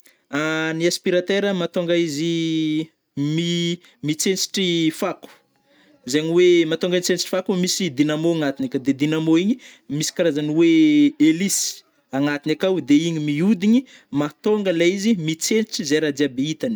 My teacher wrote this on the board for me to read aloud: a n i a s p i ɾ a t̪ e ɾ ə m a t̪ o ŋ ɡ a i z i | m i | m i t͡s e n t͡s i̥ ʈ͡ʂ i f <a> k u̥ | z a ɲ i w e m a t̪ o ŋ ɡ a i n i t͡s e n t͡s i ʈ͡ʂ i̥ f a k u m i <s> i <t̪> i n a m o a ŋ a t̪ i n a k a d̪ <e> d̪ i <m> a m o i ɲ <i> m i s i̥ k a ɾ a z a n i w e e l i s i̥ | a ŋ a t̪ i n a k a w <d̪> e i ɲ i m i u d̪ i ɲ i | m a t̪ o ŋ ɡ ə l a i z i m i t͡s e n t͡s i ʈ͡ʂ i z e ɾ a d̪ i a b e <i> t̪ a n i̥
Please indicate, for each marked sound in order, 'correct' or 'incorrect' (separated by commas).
correct, correct, incorrect, correct, incorrect, correct, correct, correct